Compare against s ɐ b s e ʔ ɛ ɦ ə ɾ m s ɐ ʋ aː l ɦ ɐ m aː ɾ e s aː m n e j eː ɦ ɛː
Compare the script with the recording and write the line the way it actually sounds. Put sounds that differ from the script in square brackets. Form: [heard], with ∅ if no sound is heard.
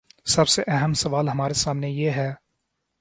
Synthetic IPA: s ɐ b s e ʔ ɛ ɦ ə [∅] m s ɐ ʋ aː l ɦ ɐ m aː ɾ e s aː m n e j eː ɦ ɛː